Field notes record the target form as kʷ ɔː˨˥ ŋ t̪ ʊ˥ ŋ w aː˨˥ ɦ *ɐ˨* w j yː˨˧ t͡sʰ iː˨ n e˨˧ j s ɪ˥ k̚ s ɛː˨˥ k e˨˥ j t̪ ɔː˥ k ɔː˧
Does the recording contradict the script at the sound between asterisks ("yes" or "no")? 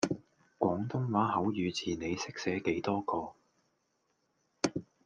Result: yes